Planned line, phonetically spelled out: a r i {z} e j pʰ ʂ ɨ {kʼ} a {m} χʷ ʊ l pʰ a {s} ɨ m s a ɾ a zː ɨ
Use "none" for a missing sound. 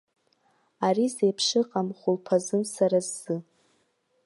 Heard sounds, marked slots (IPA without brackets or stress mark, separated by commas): z, qʼ, m, z